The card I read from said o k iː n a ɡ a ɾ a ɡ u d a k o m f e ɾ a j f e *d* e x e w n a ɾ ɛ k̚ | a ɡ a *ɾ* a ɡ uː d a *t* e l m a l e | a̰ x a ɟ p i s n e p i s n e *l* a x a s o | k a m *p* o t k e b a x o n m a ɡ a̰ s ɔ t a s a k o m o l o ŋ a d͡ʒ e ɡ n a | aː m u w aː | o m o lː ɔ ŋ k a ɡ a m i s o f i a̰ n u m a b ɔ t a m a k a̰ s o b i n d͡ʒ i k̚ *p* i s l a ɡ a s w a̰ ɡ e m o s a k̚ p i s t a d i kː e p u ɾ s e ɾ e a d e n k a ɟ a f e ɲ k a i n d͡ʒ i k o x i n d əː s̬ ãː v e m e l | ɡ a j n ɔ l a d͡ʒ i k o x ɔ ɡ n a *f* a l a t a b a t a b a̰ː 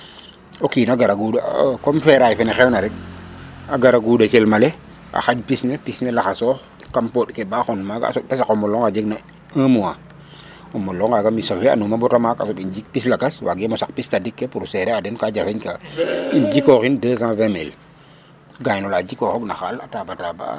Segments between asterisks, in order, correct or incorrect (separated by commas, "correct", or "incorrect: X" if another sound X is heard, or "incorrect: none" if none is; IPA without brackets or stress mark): incorrect: n, correct, incorrect: k, correct, correct, correct, incorrect: x